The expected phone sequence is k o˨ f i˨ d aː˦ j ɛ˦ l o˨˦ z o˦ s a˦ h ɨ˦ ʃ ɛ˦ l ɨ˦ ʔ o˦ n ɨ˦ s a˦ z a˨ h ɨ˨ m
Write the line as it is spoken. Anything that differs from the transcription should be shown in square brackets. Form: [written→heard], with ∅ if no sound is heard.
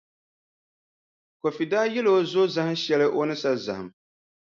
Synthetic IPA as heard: k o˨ f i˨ d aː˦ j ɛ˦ l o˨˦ z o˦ [s→z] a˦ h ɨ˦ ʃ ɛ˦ l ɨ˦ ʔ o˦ n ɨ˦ s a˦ z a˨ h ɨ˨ m